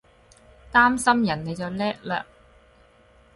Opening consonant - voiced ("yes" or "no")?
no